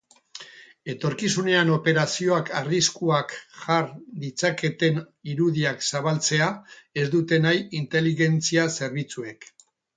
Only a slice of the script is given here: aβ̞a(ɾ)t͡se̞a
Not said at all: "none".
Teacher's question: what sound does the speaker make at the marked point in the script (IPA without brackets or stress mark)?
l